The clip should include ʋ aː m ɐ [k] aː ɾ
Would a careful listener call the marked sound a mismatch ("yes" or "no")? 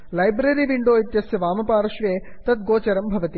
yes